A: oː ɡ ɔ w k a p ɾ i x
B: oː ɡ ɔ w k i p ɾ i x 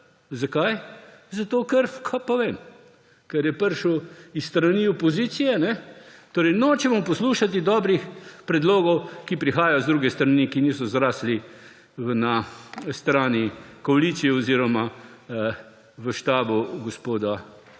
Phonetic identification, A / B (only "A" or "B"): B